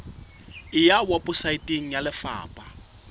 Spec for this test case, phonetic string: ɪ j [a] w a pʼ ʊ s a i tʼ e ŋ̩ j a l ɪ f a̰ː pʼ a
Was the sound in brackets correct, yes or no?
yes